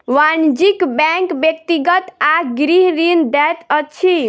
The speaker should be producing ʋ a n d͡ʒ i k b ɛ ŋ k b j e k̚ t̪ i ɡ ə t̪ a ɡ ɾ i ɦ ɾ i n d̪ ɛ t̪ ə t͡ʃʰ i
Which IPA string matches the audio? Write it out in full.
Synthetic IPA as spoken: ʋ a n d͡ʒ i k b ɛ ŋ k b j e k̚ t̪ i ɡ ə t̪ a ɡ ɾ i ɦ ɾ i n d̪ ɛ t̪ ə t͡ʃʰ i